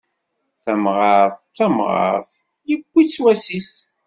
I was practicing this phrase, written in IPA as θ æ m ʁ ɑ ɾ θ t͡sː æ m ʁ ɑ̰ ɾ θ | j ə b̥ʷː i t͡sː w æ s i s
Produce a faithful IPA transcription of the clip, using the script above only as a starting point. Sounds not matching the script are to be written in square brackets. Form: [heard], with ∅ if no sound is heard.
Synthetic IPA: θ æ m ʁ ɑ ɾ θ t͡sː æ m ʁ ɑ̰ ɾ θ | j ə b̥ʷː i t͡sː w æ s i s

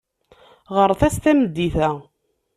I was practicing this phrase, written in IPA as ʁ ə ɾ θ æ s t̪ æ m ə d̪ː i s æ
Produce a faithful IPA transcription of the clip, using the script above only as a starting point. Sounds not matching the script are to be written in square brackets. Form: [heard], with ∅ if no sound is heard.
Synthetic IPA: ʁ ə ɾ θ æ s t̪ æ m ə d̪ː i [θ] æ

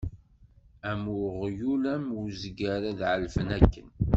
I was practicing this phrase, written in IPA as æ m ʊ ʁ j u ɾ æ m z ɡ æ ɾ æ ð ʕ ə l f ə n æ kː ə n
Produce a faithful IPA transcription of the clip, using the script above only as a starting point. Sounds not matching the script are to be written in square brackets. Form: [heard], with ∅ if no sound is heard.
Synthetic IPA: æ m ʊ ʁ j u [l] æ m z ɡ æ ɾ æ ð ʕ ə l f ə n æ kː ə n

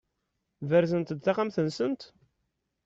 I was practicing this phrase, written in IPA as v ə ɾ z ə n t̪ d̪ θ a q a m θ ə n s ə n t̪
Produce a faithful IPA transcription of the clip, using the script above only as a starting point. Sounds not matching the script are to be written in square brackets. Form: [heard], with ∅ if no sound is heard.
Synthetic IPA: v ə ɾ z ə n t̪ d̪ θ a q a m θ ə n s ə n t̪

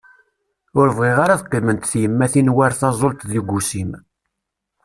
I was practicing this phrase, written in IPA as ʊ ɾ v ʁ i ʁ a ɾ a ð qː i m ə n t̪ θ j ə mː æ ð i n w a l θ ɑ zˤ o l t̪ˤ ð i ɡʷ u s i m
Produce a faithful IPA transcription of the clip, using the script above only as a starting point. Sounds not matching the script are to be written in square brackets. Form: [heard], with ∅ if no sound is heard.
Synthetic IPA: ʊ ɾ v ʁ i ʁ a ɾ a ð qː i m ə n t̪ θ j ə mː æ [θ] i n w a [ɾ] θ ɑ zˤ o l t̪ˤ ð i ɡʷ u s i m

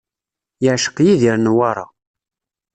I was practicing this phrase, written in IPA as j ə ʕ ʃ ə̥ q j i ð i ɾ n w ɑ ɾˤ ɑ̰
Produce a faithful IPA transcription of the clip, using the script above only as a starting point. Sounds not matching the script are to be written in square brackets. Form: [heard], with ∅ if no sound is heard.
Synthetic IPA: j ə ʕ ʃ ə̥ q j i ð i ɾ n w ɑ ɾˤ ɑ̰

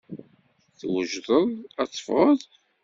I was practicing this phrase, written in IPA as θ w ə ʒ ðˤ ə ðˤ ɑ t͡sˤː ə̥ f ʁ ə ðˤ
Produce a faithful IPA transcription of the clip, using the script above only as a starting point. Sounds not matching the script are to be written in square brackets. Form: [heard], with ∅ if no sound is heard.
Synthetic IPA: θ w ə ʒ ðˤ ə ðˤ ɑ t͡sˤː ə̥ f ʁ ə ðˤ

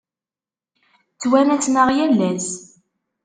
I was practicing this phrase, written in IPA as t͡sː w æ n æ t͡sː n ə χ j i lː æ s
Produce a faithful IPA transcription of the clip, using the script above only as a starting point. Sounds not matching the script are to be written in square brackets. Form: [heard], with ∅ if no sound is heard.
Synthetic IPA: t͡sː w æ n æ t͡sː n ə [ʁ] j [æ] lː æ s

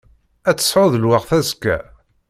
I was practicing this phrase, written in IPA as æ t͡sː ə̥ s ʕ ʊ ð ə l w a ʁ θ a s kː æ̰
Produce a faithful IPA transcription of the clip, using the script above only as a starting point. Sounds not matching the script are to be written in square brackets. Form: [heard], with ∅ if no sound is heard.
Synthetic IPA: æ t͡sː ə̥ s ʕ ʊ ð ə l w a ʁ θ [æ] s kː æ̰

